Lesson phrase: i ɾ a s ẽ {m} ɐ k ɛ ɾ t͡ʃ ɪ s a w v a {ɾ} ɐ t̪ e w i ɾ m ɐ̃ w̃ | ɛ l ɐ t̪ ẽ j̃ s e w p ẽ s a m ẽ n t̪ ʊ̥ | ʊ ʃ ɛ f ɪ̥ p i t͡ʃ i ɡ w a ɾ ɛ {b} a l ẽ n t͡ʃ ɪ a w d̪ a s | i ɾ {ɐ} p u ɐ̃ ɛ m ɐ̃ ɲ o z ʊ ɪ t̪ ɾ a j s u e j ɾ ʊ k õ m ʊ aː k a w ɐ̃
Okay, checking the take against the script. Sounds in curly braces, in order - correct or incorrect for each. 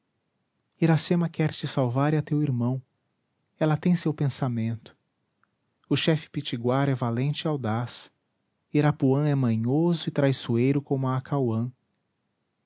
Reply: correct, correct, incorrect: v, incorrect: a

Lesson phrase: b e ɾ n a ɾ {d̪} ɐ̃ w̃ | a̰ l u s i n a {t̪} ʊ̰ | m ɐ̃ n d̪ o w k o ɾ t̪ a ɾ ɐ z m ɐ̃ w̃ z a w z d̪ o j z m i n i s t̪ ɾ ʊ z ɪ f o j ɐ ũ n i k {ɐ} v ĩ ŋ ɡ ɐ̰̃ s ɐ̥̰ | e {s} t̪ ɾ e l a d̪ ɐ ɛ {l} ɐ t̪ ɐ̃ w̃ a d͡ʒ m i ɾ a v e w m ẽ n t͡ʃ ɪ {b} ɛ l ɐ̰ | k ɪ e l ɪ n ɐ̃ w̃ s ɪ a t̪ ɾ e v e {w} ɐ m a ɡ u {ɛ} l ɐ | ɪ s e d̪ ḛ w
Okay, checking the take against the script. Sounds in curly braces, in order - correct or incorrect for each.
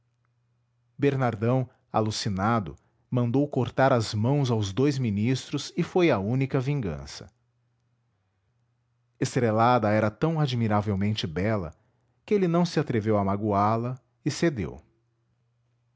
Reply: correct, incorrect: d̪, correct, correct, incorrect: ɾ, correct, correct, incorrect: a

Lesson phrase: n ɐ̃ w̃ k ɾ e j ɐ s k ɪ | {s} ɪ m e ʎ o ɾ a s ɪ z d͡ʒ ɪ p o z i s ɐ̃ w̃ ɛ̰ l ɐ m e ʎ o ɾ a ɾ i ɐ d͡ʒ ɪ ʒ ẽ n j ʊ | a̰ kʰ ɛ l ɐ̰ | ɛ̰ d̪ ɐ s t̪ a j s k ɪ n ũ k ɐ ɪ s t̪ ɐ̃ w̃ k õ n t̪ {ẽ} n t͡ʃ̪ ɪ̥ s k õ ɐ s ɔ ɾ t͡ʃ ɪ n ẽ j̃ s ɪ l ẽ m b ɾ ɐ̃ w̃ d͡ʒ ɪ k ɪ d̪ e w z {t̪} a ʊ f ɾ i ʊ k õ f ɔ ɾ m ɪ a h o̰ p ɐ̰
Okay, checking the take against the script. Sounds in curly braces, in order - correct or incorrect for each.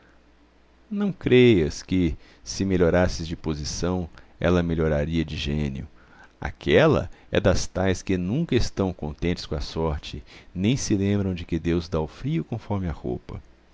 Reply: correct, correct, incorrect: d̪

